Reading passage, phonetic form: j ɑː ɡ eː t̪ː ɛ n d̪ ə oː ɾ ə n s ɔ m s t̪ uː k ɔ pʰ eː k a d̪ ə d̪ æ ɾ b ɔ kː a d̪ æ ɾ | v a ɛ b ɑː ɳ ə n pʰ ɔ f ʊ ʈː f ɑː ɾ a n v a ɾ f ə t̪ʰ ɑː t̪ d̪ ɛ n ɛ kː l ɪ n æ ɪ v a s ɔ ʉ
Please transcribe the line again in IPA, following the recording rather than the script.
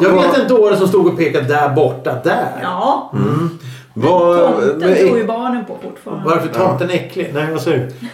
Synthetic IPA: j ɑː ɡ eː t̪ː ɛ n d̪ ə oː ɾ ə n s ɔ m s t̪ uː ɡ ɔ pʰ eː k a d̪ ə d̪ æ ɾ b ɔ ʈː a d̪ æ ɾ | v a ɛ b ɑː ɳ ə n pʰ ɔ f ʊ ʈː f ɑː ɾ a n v a ɾ f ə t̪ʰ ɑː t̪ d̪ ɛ n ɛ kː l ɪ n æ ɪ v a s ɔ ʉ